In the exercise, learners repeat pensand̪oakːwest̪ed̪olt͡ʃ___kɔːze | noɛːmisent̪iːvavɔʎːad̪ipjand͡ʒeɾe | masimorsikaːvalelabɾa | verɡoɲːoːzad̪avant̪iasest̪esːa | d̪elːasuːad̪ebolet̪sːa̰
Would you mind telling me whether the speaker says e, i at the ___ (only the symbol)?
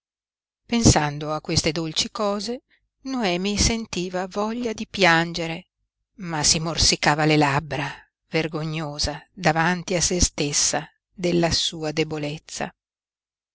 i